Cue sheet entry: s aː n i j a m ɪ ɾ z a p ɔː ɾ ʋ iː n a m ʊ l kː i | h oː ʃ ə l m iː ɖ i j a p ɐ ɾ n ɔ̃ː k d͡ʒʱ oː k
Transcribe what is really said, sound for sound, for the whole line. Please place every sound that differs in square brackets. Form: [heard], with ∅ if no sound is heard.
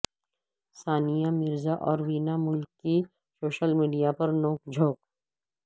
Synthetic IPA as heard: s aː n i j a m ɪ ɾ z a [ʔ] ɔː ɾ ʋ iː n a m ʊ l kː i | [s] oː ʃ ə l m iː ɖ i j a p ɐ ɾ n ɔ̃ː k d͡ʒʱ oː k